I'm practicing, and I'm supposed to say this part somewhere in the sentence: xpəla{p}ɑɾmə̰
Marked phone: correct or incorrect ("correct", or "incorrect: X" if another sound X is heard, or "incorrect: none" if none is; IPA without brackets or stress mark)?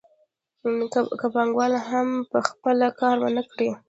incorrect: k